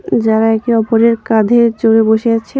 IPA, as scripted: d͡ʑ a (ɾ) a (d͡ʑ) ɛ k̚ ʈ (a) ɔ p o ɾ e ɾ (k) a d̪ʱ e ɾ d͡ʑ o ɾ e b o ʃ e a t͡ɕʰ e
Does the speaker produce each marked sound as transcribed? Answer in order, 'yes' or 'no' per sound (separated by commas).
yes, no, no, yes